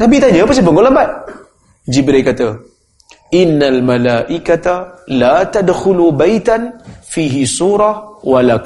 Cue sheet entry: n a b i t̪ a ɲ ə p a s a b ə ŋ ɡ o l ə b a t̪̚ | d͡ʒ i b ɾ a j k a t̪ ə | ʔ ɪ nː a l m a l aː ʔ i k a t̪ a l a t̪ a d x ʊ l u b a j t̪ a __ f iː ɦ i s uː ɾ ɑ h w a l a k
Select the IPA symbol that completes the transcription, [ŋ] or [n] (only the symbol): n